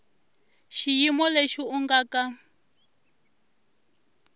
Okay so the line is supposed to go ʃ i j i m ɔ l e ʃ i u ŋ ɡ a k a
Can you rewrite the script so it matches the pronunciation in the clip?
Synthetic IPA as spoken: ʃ i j i m ɔ l e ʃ i u ŋ ɡ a k a